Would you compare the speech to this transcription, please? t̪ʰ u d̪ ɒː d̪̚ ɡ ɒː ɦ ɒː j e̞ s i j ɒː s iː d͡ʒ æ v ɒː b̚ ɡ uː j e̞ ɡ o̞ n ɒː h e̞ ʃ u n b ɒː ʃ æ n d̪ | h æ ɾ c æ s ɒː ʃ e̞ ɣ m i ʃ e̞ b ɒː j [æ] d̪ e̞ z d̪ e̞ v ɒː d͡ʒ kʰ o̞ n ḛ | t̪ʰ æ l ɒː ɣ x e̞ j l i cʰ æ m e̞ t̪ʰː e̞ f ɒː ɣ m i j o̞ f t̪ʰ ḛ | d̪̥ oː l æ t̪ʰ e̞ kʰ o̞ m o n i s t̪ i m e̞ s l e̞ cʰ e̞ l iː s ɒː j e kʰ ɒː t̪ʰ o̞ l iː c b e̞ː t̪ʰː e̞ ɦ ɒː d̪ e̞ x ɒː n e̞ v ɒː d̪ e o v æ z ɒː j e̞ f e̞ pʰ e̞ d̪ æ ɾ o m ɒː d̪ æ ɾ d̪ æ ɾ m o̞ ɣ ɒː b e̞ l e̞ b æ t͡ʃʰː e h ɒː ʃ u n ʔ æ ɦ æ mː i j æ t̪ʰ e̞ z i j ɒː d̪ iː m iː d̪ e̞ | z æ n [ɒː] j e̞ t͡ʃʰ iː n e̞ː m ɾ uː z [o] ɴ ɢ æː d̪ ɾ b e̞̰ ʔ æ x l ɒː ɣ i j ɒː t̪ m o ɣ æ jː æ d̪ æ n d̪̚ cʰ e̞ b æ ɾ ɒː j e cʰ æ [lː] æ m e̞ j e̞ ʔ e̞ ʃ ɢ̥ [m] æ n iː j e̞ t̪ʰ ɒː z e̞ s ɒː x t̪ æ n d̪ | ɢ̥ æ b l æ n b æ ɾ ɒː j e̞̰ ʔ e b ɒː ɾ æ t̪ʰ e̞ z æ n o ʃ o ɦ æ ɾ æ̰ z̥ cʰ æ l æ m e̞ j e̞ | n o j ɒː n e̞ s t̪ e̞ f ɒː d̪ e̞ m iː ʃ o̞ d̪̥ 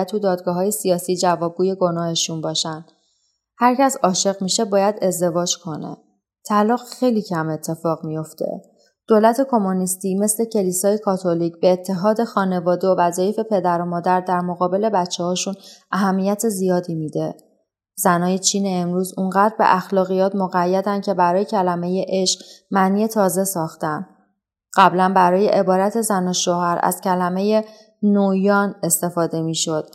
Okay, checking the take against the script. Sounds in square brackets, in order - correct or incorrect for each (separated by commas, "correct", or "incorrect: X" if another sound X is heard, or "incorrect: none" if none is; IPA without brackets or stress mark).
correct, correct, incorrect: u, incorrect: l, correct